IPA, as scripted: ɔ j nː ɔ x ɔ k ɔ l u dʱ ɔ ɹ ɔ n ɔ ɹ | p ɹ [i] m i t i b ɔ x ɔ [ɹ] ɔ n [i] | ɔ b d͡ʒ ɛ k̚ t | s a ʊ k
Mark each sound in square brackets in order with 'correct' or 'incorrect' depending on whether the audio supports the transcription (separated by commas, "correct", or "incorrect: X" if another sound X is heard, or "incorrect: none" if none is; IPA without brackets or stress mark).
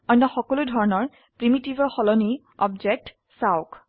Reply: correct, incorrect: l, correct